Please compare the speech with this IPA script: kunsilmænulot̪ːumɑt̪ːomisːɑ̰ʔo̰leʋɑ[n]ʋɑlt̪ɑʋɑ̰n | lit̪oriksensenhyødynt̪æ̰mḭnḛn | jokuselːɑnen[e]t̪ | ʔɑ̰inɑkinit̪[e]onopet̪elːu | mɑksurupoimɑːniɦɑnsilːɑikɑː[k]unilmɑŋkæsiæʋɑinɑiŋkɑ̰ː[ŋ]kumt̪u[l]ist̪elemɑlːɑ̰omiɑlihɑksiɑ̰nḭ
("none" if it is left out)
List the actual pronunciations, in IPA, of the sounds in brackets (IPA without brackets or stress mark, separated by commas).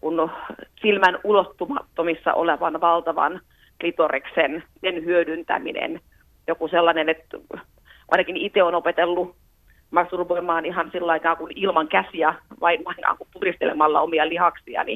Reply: n, e, e, k, ŋ, r